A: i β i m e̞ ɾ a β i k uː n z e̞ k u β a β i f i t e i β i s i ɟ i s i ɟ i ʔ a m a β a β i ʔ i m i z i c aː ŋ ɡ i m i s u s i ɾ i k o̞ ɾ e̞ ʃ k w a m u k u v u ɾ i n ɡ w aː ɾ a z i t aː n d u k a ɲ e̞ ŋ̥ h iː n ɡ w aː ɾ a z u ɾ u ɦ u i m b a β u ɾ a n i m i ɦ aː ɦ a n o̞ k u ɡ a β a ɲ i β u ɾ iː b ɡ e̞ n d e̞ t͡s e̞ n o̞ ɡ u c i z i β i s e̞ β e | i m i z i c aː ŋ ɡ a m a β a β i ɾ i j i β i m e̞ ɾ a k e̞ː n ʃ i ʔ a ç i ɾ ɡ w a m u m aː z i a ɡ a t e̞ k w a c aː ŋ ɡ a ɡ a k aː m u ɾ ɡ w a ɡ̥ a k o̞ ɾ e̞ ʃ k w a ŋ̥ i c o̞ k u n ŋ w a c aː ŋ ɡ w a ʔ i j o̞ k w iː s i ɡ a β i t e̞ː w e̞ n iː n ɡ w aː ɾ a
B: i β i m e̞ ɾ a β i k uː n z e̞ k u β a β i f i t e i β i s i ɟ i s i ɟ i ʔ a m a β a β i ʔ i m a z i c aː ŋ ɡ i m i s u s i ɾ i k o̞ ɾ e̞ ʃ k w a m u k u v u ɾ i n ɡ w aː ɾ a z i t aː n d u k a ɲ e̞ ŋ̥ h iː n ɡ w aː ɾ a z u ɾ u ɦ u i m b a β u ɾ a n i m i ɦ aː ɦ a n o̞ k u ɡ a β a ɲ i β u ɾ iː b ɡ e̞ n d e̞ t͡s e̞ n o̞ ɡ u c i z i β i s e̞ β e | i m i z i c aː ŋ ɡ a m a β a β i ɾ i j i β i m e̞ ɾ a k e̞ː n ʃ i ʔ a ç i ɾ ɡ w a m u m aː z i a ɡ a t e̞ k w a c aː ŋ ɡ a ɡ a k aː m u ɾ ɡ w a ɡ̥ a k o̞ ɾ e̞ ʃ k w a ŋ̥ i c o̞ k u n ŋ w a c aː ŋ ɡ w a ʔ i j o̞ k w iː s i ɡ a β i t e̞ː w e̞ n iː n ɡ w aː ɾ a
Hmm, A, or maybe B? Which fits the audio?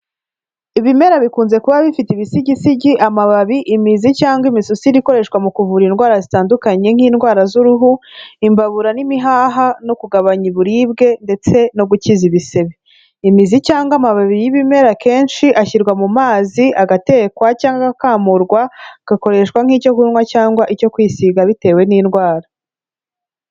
A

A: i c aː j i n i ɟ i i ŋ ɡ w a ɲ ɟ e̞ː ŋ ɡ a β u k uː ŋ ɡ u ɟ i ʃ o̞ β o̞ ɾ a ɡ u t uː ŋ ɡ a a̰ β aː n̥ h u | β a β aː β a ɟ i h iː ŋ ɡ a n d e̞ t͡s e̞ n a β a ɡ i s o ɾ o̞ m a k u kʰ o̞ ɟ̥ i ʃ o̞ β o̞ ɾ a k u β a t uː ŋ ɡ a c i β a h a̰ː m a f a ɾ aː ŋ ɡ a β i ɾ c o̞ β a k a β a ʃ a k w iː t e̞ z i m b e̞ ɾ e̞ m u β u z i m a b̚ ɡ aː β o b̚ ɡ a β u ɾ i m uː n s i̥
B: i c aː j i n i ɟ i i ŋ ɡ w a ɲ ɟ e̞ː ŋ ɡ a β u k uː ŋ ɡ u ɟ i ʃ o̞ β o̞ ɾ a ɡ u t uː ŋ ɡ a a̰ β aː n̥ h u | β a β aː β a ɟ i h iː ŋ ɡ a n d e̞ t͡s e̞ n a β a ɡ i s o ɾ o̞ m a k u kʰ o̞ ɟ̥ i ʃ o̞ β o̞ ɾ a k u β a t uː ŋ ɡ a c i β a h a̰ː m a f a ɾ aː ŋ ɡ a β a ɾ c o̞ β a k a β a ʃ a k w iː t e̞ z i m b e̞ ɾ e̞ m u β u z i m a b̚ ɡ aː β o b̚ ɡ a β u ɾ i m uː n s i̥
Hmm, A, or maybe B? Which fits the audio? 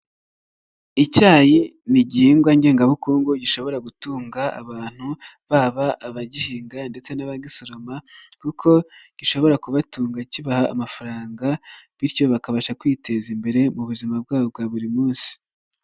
A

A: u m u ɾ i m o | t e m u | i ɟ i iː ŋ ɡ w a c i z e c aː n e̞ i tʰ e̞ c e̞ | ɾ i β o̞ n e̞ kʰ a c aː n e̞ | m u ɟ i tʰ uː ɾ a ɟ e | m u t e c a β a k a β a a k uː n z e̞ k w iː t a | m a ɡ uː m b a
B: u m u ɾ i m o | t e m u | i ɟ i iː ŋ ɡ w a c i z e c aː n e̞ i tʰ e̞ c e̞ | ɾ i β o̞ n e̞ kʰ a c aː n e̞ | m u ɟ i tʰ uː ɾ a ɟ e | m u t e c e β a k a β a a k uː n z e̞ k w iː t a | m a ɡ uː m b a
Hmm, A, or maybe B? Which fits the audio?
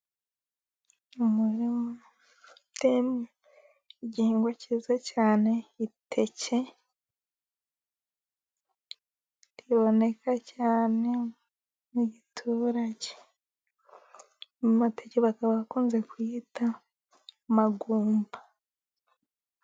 B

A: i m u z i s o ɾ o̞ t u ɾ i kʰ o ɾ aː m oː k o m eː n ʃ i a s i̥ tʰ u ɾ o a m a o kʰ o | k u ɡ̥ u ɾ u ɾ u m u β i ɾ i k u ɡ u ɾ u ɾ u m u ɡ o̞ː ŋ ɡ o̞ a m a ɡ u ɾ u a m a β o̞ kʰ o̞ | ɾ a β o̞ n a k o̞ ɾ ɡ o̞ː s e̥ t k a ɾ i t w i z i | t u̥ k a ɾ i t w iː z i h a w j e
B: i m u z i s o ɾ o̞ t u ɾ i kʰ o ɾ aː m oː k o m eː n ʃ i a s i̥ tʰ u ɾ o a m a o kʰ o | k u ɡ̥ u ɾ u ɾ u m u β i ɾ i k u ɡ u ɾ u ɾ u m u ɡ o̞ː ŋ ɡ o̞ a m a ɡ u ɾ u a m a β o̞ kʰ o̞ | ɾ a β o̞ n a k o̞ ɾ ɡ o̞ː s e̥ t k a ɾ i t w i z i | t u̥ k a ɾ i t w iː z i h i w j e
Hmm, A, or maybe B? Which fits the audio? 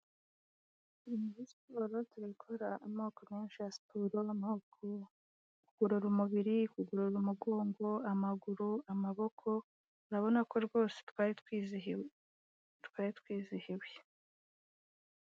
B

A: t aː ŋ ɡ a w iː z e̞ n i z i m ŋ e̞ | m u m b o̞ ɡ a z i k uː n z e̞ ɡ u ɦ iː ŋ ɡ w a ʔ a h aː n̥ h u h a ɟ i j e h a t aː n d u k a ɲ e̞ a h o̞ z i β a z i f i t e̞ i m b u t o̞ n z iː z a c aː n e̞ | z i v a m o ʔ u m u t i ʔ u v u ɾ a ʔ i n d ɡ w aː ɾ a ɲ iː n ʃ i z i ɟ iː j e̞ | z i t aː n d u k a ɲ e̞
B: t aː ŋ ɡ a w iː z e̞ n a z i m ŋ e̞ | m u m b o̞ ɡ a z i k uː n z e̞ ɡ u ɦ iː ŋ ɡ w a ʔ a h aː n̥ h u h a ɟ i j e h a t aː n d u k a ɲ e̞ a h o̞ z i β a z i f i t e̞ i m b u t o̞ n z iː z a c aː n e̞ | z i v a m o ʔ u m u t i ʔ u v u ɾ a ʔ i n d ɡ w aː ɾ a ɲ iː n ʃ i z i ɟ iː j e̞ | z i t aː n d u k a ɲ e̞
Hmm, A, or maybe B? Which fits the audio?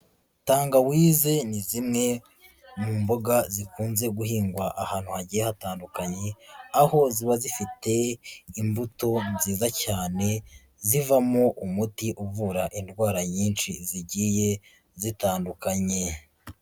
A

